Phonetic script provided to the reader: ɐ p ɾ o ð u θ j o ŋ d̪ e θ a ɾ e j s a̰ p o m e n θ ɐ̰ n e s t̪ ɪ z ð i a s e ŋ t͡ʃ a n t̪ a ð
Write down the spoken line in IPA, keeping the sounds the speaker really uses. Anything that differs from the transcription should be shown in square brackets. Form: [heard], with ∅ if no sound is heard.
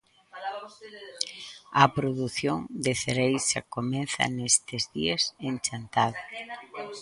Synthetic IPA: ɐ p ɾ o ð u θ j o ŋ d̪ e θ [e] ɾ e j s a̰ [k] o m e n θ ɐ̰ n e s t̪ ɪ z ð i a s e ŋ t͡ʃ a n t̪ a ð

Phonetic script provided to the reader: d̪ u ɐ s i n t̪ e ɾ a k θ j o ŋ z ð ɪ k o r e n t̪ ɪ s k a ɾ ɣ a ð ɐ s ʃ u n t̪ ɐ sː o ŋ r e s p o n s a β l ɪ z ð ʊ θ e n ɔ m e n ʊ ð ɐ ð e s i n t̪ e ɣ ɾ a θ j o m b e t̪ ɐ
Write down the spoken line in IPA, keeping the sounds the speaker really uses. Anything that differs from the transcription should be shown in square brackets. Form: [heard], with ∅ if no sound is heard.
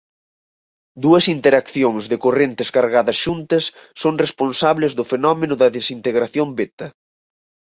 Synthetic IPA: d̪ u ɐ s i n t̪ e ɾ a k θ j o ŋ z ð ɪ k o r e n t̪ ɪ s k a ɾ ɣ a ð ɐ s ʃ u n t̪ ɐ sː o ŋ r e s p o n s a β l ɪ z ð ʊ [f] e n ɔ m e n ʊ ð ɐ ð e s i n t̪ e ɣ ɾ a θ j o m b e t̪ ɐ

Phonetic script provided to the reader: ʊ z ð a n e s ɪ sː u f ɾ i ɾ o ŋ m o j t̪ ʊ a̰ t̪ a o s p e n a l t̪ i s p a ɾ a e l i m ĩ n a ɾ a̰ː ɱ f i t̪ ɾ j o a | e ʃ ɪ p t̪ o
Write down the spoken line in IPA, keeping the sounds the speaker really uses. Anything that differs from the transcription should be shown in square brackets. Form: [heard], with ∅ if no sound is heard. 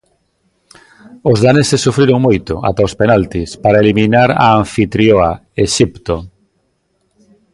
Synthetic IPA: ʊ z ð a n e s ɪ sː u f ɾ i ɾ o ŋ m o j t̪ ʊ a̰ t̪ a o s p e n a l t̪ i s p a ɾ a e l i m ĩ n a ɾ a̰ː ɱ f i t̪ ɾ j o a | e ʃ [i] p t̪ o

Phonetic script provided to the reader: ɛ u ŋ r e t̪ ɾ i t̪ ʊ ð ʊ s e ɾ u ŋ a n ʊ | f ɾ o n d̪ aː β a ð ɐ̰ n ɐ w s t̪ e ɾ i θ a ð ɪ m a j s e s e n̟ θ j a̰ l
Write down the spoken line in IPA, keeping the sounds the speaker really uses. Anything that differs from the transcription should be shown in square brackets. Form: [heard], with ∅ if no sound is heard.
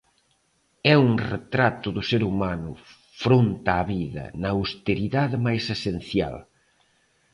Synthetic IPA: ɛ u ŋ r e t̪ ɾ [a] t̪ ʊ ð ʊ s e ɾ u [m] a n ʊ | f ɾ o n [t̪] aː β [i] ð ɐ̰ n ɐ w s t̪ e ɾ i [ð] a ð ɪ m a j s e s e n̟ θ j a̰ l

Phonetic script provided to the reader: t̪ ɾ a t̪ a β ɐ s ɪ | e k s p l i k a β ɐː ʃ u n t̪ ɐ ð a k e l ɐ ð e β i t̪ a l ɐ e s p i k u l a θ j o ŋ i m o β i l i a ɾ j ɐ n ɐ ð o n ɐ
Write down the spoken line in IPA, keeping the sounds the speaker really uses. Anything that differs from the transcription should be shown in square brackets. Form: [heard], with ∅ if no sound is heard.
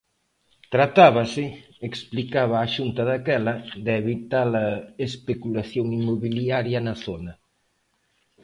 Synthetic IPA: t̪ ɾ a t̪ a β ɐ s ɪ | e k s p l i k a β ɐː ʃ u n t̪ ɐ ð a k [ɛ] l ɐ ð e β i t̪ a l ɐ e s p [e] k u l a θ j o ŋ i m o β i l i a ɾ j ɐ n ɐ [θ] o n ɐ

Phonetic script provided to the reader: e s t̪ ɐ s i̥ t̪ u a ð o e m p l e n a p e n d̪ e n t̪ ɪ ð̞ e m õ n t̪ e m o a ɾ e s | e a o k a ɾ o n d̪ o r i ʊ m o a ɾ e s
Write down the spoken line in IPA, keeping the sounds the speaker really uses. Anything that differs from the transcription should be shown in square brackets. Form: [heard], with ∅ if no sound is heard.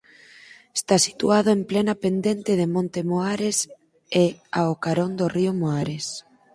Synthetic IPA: e s t̪ [a] s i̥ t̪ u a ð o e m p l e n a p e n d̪ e n t̪ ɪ ð̞ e m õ n t̪ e m o a ɾ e s | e a o k a ɾ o n d̪ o r i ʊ m o a ɾ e s

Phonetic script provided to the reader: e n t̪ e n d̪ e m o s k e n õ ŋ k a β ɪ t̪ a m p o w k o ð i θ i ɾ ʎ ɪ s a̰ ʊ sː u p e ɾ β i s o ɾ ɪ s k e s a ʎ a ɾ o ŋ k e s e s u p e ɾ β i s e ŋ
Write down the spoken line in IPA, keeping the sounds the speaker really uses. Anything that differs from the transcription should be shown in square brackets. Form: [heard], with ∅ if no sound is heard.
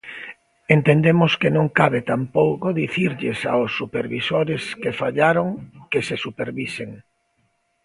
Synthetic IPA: e n t̪ e n d̪ e m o s k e n õ ŋ k a β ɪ t̪ a m p o w k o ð i θ i ɾ ʎ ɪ s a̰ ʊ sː u p e ɾ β i s o ɾ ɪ s k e [f] a ʎ a ɾ o ŋ k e s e s u p e ɾ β i s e ŋ

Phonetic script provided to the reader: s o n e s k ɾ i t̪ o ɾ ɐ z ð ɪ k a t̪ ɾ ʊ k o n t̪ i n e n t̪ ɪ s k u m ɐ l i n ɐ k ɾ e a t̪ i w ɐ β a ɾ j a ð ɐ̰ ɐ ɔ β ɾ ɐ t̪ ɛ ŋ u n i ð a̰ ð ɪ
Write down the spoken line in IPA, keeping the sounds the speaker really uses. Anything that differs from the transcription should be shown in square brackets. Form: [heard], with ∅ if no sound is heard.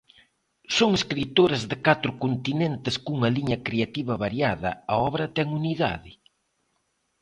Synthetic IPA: s o [ŋ] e s k ɾ i t̪ o ɾ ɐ z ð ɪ k a t̪ ɾ ʊ k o n t̪ i n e n t̪ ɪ s k u [ŋ] ɐ l i [ɲ] ɐ k ɾ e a t̪ i [β] ɐ β a ɾ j a ð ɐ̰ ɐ ɔ β ɾ ɐ t̪ ɛ ŋ u n i ð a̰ ð ɪ

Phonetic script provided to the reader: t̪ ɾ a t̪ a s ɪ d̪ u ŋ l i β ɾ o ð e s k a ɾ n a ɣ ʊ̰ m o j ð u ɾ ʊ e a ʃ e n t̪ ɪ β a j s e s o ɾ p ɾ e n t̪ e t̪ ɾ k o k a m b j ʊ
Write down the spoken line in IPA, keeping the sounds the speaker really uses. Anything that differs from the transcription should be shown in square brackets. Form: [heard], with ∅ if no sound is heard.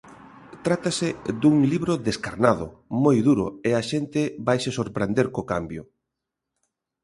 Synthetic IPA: t̪ ɾ a t̪ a s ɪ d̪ u ŋ l i β ɾ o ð e s k a ɾ n a [ð] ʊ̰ m o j ð u ɾ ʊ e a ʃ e n t̪ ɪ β a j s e s o ɾ p ɾ e n [d̪] e [∅] ɾ k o k a m b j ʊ

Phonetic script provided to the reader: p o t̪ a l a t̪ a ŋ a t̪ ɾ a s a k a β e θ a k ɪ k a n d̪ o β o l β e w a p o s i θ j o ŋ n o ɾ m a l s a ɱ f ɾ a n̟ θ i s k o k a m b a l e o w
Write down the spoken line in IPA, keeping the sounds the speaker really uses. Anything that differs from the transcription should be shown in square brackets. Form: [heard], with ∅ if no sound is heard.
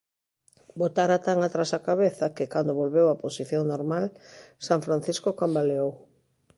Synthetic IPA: [b] o t̪ a [ɾ] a t̪ a ŋ a t̪ ɾ a s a k a β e θ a k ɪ k a n d̪ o β o l β e w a p o s i θ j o ŋ n o ɾ m a l s a ɱ f ɾ a n̟ θ i s k o k a m b a l e o w

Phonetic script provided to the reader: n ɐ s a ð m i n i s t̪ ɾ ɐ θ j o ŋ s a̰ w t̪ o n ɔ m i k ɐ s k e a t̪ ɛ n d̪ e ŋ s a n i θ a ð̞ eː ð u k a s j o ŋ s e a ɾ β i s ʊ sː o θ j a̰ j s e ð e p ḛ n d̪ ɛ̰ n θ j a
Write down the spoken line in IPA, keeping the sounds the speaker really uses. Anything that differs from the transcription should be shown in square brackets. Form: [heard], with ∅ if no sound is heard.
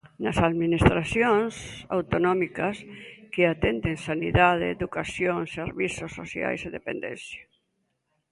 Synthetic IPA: n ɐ s a ð m i n i s t̪ ɾ [a] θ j o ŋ s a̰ w t̪ o n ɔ m i k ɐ s k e a t̪ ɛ n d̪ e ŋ s a n i [ð] a ð̞ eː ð u k a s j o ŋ s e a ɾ β i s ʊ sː o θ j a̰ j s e ð e p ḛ n d̪ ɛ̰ n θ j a

